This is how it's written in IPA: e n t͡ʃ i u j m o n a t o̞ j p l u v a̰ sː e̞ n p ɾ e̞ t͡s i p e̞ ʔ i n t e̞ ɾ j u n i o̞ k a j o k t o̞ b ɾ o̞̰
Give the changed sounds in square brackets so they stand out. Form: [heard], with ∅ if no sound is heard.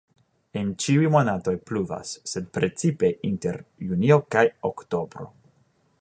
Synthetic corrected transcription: e n t͡ʃ i u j m o n a t o̞ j p l u v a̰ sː e̞ [d] p ɾ e̞ t͡s i p e̞ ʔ i n t e̞ ɾ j u n i o̞ k a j o k t o̞ b ɾ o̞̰